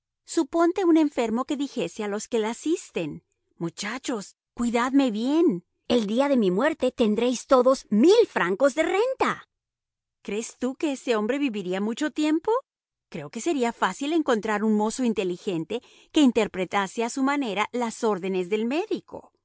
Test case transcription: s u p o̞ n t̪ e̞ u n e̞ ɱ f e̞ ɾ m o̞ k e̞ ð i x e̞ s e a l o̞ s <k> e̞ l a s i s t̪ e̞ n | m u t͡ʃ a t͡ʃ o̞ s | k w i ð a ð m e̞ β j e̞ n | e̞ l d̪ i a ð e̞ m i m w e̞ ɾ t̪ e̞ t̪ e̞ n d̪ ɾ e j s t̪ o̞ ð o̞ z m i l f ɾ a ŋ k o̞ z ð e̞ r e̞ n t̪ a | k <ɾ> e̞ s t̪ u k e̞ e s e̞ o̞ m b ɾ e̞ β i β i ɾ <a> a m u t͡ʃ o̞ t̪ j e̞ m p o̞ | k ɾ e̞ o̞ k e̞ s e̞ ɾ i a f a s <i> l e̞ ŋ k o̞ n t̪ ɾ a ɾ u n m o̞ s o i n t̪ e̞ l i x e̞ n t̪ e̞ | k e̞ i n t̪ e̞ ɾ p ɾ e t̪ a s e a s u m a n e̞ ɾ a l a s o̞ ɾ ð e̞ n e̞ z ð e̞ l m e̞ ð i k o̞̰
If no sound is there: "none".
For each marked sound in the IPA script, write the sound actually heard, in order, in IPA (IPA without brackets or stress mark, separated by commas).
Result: k, ɾ, i, i